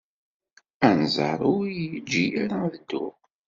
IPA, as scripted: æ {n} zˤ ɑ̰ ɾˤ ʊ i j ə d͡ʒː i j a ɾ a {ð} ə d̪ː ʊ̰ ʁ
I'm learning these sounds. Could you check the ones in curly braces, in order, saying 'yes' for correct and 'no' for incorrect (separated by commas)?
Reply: yes, yes